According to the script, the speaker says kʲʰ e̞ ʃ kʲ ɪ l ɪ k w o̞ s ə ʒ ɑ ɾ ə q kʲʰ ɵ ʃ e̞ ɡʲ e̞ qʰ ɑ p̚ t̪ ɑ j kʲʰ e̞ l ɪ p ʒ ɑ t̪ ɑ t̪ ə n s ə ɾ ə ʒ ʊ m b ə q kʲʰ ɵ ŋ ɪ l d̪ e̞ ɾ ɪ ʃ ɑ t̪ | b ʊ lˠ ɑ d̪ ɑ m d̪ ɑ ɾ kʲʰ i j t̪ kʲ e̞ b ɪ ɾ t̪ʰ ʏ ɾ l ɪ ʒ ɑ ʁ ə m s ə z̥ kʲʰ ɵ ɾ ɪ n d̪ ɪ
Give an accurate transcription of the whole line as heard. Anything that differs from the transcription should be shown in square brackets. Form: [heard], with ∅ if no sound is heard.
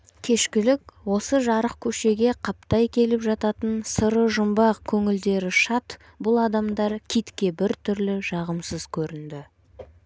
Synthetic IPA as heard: kʲʰ e̞ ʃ kʲ ɪ l ɪ k w o̞ s ə ʒ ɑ ɾ ə q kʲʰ ɵ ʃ e̞ ɡʲ e̞ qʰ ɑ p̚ t̪ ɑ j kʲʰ e̞ l ɪ p ʒ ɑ t̪ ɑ t̪ ə n s ə ɾ ə ʒ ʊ m b [ɑ] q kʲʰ ɵ ŋ ɪ l d̪ e̞ ɾ ɪ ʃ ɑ t̪ | b ʊ lˠ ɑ d̪ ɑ m d̪ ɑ ɾ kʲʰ i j t̪ kʲ e̞ b ɪ ɾ t̪ʰ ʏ ɾ l ɪ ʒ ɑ ʁ ə m s ə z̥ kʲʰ ɵ ɾ ɪ n d̪ ɪ